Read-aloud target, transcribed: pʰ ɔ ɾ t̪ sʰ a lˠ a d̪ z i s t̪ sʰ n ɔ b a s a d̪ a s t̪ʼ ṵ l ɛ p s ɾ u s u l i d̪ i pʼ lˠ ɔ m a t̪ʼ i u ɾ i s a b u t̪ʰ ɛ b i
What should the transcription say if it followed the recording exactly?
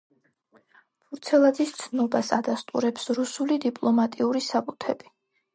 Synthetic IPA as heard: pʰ u ɾ t̪ sʰ ɛ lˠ a d̪ z i s t̪ sʰ n ɔ b a s a d̪ a s t̪ʼ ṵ ɾ ɛ p s ɾ u s u l i d̪ i pʼ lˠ ɔ m a t̪ʼ i u ɾ i s a b u t̪ʰ ɛ b i